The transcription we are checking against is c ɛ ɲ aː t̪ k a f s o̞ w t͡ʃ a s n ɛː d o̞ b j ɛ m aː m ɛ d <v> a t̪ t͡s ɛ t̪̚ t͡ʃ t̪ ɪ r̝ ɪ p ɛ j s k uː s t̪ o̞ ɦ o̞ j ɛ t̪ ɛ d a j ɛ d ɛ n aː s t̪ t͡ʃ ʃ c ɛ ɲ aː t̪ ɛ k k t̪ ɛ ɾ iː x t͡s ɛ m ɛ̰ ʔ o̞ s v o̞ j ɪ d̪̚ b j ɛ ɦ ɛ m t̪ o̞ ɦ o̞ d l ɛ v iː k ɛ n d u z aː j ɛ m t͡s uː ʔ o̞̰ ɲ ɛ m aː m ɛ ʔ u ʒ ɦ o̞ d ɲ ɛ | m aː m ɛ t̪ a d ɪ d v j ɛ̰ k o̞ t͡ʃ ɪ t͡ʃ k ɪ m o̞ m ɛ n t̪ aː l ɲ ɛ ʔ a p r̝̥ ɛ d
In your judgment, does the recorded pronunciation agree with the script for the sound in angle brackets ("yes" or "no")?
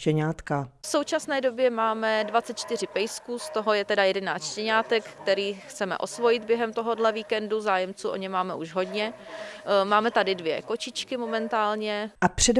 yes